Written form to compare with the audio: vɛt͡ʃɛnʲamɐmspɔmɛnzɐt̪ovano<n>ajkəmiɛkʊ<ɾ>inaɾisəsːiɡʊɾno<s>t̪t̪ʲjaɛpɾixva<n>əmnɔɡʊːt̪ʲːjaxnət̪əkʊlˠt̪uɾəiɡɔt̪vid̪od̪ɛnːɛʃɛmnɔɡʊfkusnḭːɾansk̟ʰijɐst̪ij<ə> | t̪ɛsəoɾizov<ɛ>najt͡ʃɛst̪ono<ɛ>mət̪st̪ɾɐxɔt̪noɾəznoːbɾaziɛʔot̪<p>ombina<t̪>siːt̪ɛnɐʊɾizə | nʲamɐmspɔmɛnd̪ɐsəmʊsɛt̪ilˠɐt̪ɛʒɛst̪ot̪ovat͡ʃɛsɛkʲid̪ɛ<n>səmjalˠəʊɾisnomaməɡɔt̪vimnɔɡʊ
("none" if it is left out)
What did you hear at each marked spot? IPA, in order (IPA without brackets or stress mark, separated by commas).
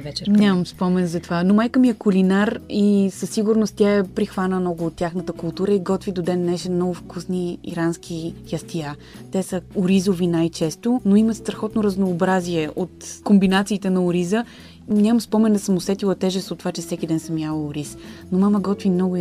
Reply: m, l, s, n, a, i, i, k, t̪, n